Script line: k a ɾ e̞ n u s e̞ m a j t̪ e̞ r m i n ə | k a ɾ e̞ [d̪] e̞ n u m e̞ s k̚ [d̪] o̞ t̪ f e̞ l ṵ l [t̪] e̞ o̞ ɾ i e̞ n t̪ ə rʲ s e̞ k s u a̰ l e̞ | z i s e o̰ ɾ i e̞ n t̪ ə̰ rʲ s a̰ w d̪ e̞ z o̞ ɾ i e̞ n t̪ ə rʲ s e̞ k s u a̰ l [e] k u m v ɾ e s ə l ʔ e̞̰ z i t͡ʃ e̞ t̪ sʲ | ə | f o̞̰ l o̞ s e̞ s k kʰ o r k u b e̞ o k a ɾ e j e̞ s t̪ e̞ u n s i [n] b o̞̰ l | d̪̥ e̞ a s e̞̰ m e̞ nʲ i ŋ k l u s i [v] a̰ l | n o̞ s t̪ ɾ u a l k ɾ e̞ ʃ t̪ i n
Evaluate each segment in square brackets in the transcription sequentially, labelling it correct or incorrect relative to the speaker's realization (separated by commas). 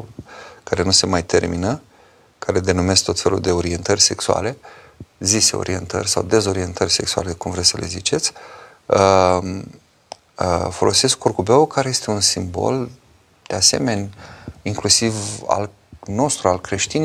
correct, incorrect, incorrect, correct, incorrect, correct